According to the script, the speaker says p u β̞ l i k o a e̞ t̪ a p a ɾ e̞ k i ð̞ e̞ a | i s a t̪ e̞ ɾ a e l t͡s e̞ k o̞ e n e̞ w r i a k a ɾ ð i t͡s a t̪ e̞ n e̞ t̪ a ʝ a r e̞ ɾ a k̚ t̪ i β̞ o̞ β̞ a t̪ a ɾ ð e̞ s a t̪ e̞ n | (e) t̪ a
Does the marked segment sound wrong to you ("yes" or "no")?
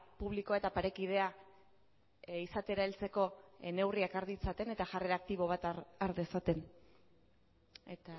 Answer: no